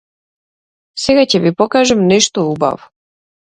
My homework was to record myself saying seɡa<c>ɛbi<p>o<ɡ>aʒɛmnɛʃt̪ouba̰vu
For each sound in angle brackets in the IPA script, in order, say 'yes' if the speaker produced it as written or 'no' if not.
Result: yes, yes, no

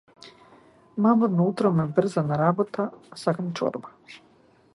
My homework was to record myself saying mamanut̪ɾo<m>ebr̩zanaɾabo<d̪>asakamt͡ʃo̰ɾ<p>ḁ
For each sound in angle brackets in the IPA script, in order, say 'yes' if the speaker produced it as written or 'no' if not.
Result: yes, no, no

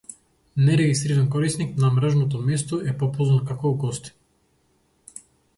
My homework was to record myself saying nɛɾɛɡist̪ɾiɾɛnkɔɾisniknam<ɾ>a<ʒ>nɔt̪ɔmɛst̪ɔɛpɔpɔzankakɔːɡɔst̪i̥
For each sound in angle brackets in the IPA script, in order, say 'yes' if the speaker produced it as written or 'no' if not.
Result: yes, yes

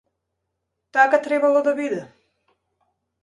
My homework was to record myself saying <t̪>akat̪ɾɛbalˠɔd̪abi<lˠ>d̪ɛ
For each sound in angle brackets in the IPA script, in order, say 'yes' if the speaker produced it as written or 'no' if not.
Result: yes, no

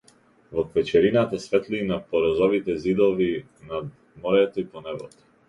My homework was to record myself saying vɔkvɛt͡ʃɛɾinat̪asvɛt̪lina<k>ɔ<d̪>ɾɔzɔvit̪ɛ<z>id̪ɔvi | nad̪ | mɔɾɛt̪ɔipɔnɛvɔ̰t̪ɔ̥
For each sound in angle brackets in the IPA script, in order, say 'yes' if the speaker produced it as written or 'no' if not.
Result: no, no, yes

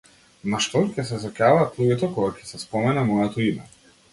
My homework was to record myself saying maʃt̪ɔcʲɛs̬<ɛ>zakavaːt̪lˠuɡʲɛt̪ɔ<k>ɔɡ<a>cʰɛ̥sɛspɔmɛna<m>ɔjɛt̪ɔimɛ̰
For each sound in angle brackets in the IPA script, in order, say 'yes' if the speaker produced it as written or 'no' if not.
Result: yes, yes, yes, yes

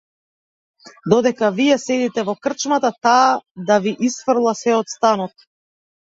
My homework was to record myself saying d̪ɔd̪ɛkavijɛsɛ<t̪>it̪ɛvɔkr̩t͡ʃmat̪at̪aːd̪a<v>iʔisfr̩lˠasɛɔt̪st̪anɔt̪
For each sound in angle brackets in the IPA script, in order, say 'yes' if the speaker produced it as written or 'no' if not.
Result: no, yes

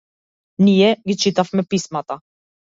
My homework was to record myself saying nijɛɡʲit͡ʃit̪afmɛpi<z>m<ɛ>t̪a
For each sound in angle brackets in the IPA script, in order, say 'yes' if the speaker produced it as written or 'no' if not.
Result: no, no

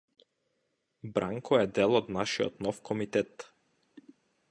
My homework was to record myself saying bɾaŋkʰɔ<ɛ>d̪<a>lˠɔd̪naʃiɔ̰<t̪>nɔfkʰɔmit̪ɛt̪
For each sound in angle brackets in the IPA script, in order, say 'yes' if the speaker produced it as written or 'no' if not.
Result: yes, no, yes

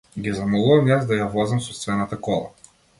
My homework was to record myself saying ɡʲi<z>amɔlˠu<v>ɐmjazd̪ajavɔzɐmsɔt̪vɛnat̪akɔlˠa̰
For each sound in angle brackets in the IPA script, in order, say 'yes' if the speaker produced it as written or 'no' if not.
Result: yes, yes

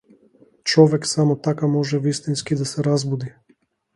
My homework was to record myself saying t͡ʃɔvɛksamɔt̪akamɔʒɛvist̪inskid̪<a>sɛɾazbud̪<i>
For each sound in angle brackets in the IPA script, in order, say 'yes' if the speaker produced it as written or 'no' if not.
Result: yes, yes

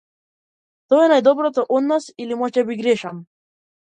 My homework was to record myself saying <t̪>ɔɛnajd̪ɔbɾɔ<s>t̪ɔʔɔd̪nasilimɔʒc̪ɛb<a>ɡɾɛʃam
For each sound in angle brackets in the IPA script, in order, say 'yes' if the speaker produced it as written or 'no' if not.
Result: yes, no, no

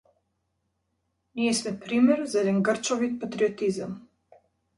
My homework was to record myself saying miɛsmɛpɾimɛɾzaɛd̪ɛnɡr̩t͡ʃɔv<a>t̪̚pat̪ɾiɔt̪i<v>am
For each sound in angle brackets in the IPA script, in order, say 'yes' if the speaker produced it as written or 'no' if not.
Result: no, no

